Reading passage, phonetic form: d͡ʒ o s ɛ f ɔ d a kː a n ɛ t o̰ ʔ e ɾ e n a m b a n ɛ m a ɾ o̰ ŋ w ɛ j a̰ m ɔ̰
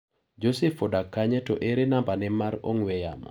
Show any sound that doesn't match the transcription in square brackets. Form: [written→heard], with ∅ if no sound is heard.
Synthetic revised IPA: d͡ʒ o s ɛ f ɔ d a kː a [n→ɲ] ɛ t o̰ ʔ e ɾ e n a m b a n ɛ m a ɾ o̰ ŋ w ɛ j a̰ m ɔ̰